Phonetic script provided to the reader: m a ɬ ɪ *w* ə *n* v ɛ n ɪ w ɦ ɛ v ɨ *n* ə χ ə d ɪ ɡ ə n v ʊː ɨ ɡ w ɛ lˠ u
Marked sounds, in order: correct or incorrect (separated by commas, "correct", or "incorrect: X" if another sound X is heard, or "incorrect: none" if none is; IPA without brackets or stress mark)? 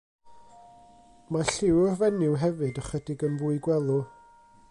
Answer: correct, incorrect: none, incorrect: d